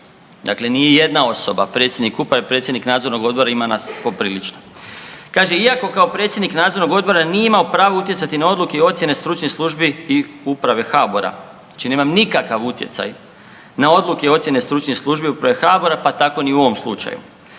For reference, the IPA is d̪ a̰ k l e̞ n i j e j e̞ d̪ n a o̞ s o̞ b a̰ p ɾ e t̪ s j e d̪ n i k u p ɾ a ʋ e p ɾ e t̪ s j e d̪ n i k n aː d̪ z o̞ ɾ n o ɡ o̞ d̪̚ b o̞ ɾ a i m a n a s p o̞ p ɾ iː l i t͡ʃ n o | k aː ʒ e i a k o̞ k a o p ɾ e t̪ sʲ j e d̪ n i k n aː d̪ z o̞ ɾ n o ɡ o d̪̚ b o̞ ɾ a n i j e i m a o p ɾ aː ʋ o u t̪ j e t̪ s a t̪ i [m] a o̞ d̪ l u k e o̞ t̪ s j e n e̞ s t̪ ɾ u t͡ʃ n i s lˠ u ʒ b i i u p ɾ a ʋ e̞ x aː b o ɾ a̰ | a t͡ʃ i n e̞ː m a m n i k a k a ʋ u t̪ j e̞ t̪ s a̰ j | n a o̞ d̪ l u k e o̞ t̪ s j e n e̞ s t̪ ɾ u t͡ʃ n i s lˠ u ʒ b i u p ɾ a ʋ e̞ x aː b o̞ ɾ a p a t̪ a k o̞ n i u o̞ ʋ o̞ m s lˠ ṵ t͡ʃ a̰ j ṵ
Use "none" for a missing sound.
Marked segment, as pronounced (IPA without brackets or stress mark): n